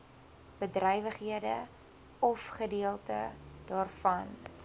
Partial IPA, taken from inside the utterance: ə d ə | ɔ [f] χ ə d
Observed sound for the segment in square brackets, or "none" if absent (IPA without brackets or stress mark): f